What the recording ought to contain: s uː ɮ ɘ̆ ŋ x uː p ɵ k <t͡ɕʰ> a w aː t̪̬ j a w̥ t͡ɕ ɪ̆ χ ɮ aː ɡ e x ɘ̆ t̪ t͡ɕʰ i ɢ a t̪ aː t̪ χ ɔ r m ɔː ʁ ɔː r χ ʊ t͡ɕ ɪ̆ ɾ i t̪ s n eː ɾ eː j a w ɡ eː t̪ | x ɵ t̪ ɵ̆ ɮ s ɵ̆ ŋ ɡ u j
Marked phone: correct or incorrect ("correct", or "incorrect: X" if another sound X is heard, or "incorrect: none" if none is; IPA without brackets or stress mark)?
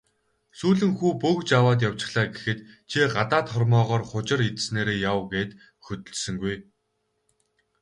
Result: incorrect: t͡ɕ